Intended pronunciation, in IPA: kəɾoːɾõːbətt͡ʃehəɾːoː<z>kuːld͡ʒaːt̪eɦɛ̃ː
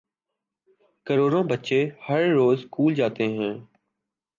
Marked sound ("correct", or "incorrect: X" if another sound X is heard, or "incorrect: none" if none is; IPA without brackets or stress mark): correct